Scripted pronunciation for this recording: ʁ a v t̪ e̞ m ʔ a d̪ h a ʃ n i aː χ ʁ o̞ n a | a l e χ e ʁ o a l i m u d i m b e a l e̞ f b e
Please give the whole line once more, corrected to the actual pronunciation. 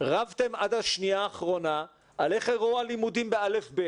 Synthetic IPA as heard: ʁ a v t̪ e̞ m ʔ a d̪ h a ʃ n i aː χ ʁ o̞ n a | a l e χ e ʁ o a l i m u d i m b e a l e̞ f b e

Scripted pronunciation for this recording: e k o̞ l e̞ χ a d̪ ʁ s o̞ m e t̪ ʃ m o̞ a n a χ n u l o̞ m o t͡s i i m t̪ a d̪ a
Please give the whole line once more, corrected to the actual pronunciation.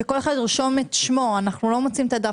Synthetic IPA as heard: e k o̞ l e̞ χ a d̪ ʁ ʃ o̞ m e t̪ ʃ m o̞ a n a χ n u l o̞ m o t͡s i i m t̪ a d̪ a

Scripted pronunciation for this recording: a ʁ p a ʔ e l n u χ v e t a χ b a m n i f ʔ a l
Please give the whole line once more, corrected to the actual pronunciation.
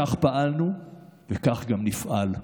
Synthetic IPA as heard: a χ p a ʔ a l n u v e k a χ ɡ a m n i f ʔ a l

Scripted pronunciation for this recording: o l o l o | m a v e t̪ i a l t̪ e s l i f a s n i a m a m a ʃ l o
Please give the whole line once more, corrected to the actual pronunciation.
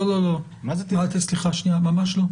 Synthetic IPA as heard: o l o l o | m a z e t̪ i a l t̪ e s l i χ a ʃ n i a m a m a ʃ l o

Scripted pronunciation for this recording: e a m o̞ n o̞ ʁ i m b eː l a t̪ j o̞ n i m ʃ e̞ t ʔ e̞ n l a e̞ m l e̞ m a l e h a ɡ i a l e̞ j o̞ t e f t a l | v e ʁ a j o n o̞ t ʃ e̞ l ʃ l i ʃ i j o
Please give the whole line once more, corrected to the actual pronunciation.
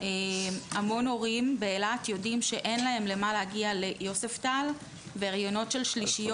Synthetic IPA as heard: e a m o̞ n o̞ ʁ i m b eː l a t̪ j o̞ d i m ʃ e̞ ʔ e̞ n l a e̞ m l e̞ m a l e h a ɡ i a l e̞ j o̞ s e f t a l | v e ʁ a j o n o̞ t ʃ e̞ l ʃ l i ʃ i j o

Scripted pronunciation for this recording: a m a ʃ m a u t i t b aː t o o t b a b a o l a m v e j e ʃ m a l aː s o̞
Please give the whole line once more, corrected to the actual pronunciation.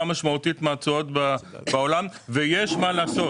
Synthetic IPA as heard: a m a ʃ m a u t i t m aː t͡s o o t b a b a o l a m v e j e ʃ m a l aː s o̞

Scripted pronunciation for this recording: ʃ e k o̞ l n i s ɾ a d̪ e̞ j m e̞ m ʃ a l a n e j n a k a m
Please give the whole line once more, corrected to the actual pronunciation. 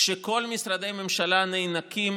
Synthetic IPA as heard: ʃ e k o̞ l m i s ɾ a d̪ e̞ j m e̞ m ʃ a l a n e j n a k i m

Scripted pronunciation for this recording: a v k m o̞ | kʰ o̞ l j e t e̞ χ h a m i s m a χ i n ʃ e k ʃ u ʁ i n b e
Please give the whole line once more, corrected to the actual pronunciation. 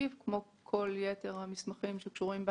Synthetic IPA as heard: i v k m o̞ | kʰ o̞ l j e t e̞ ʁ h a m i s m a χ i m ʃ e k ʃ u ʁ i m b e

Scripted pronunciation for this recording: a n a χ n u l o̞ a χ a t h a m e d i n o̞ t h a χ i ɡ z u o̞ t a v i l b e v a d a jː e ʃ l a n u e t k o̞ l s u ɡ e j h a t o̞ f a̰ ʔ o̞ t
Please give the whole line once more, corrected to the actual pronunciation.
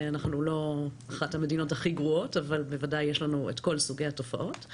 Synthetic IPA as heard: a n a χ n u l o̞ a χ a t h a m e d i n o̞ t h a χ i ɡ ʁ u o̞ t a v a l b e v a d a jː e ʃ l a n u e t k o̞ l s u ɡ e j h a t o̞ f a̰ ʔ o̞ t

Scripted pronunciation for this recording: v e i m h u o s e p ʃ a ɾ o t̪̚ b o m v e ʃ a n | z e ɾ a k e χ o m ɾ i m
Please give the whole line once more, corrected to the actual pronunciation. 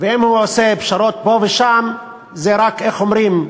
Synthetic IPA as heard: v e i m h u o s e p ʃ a ɾ o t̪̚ b o v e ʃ a m | z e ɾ a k e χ o m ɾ i m

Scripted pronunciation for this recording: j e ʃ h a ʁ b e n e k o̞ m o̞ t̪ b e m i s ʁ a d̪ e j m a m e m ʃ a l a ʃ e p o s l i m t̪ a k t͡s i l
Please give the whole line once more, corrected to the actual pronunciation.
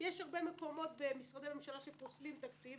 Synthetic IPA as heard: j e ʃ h a ʁ b e m e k o̞ m o̞ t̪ b e m i s ʁ a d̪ e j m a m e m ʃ a l a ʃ e p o s l i m t̪ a k t͡s i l

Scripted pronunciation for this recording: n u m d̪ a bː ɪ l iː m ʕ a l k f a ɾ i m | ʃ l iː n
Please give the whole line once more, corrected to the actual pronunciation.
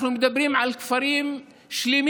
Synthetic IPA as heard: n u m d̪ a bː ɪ ɾ iː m ʕ a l k f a ɾ iː m | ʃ l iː m

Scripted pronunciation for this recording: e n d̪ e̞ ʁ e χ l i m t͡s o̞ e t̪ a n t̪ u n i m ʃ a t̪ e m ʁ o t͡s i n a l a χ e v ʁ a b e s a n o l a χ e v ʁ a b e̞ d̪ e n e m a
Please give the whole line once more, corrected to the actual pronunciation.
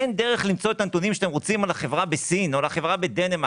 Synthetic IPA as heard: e n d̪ e̞ ʁ e χ l i m t͡s o̞ e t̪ a n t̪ u n i m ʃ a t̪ e m ʁ o t͡s i m a l a χ e v ʁ a b e s i n o l a χ e v ʁ a b e̞ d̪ e n e m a

